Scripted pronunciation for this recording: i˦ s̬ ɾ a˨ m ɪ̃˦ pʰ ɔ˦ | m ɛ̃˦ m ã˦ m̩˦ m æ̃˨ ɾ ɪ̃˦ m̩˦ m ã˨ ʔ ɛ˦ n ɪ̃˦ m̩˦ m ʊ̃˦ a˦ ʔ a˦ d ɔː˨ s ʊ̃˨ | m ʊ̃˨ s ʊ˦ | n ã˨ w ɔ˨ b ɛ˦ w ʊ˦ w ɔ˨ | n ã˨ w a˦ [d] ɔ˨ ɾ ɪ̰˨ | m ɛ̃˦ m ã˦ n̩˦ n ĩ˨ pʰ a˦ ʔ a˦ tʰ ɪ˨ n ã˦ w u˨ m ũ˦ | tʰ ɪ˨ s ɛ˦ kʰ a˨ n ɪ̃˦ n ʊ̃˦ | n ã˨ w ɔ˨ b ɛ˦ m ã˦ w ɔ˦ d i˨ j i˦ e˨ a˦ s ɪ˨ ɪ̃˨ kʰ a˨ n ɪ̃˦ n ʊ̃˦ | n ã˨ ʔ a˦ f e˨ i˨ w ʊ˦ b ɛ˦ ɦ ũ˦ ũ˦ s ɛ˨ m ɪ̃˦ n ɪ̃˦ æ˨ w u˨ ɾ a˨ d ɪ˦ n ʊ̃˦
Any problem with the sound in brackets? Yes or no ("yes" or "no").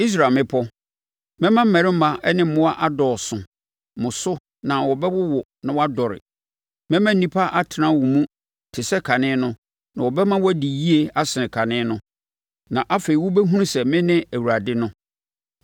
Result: no